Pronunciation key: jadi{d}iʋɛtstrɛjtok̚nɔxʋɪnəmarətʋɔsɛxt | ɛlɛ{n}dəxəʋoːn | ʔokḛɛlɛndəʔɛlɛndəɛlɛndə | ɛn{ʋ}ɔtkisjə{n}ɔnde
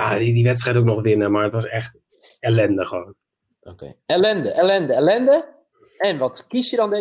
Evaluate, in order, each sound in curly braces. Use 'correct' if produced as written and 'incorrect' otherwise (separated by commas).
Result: correct, correct, correct, incorrect